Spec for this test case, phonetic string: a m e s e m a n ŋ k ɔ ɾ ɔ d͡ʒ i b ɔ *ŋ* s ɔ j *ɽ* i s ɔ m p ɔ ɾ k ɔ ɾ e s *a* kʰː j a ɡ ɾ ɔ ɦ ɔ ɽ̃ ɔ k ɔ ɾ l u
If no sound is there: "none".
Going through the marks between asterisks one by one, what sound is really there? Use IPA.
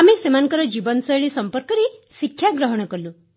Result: n, ɭ, i

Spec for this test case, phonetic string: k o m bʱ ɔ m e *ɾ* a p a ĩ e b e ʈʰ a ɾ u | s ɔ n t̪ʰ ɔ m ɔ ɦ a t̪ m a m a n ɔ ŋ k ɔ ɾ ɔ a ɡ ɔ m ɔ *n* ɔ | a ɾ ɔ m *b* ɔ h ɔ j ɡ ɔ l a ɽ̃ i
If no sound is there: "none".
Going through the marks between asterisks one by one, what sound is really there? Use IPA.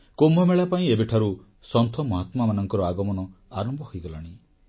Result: ɭ, n, b

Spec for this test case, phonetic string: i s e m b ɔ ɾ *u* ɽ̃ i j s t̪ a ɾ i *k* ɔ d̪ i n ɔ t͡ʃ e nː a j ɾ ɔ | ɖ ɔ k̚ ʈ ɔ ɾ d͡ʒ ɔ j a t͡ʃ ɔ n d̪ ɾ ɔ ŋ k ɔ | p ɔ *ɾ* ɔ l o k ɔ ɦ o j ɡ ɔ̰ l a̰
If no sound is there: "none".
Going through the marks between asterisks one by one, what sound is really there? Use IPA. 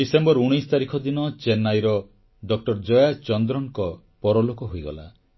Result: u, kʰ, ɾ

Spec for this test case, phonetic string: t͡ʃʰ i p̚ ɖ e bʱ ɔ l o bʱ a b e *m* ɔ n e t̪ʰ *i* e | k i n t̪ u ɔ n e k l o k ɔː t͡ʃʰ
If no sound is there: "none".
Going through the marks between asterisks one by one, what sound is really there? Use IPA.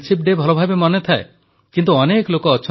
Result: m, a

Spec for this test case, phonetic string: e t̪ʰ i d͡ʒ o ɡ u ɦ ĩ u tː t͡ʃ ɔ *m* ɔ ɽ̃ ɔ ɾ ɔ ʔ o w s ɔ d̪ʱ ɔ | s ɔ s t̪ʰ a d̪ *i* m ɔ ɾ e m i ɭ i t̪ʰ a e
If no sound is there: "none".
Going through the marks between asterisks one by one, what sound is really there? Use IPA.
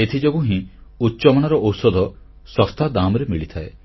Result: m, a

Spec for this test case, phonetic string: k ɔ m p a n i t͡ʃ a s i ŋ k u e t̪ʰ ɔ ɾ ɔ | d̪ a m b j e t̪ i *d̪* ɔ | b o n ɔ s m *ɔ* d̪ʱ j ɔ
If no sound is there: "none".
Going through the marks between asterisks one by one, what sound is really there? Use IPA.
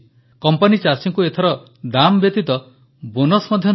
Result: t̪, ɔ

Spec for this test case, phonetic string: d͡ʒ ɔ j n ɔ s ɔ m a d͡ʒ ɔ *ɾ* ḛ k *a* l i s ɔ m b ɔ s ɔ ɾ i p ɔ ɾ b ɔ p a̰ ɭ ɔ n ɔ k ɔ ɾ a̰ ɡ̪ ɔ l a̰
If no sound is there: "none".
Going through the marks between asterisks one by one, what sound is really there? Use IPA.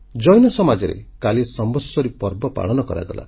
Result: ɾ, a

